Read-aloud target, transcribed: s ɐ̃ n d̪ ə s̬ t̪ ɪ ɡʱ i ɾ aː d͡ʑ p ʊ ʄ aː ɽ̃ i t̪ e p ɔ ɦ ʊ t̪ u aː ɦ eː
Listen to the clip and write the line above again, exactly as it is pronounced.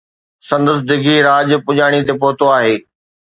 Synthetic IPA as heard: s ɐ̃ n d̪ ə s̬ d̪ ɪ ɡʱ i ɾ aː d͡ʑ p ʊ ʄ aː ɽ̃ i t̪ e p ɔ ɦ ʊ t̪ o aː ɦ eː

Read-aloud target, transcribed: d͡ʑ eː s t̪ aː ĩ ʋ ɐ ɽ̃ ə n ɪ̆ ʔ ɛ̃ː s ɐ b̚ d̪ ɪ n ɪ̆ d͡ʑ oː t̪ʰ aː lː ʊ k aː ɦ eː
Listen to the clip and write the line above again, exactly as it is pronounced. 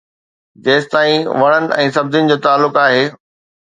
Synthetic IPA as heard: d͡ʑ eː s t̪ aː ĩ ʋ ɐ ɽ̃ ə n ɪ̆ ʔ ɛ̃ː s ɐ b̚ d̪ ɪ n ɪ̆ d͡ʑ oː t̪ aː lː ʊ k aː ɦ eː

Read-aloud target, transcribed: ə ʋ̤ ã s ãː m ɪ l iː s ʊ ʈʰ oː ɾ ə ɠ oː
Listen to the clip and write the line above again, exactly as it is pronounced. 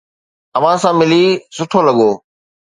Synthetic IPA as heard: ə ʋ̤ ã s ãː m ɪ l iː s ʊ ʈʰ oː l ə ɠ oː

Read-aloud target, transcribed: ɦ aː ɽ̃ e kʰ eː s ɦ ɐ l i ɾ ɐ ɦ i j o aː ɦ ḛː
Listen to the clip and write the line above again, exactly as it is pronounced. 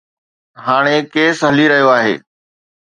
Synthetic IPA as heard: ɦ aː ɽ̃ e k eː s ɦ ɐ l i ɾ ɐ ɦ i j o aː ɦ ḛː

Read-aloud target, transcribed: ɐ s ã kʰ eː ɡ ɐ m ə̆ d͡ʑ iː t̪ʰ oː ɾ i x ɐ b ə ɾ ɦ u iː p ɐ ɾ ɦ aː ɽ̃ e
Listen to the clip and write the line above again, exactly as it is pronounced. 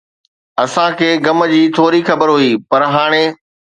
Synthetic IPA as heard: ɐ s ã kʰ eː ɡ ɐ m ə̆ d͡ʑ iː t̪ʰ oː ɾ i x ɐ b ə ɾ ɦ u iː p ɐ ɾ ɦ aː ɽ̃ e

